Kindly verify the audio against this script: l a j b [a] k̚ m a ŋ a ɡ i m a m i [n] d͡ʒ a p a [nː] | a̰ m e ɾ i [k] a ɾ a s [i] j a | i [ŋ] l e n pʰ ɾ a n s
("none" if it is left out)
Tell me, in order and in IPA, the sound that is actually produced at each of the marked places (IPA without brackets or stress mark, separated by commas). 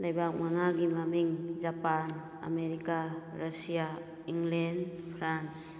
a, ŋ, n, k, i, ŋ